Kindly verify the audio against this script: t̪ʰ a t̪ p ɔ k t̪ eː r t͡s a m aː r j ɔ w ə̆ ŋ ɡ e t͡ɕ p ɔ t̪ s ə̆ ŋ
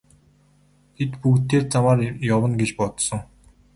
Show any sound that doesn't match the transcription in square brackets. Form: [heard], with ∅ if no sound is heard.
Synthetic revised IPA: t̪ʰ [e] t̪ p [u] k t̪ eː r t͡s a m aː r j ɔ w ə̆ [n] ɡ e t͡ɕ p ɔ t̪ s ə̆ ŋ